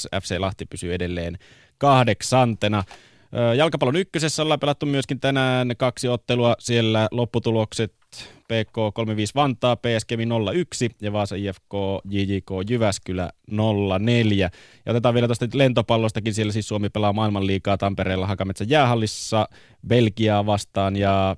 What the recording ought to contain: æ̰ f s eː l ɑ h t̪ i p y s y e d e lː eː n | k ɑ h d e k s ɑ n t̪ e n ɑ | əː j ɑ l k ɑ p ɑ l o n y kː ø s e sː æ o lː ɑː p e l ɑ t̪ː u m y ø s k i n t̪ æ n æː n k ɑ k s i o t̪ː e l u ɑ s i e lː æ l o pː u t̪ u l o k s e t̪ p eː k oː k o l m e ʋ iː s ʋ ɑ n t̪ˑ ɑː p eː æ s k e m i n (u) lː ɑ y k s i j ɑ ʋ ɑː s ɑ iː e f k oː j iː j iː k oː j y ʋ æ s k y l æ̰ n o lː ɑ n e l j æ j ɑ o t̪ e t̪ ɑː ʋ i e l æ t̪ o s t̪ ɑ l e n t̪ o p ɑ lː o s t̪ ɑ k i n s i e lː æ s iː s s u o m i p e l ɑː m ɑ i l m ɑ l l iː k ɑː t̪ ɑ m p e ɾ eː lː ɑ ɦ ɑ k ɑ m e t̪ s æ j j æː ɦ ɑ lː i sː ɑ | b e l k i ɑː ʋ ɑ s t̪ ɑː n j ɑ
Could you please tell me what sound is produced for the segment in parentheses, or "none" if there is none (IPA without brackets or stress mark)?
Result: o